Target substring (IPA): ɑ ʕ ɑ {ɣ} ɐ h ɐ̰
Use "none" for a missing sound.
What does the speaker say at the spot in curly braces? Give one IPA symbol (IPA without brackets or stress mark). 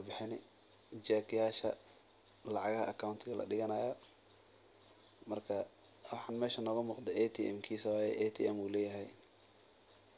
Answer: ɣ